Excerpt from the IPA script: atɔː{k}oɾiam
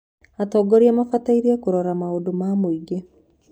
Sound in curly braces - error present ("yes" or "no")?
yes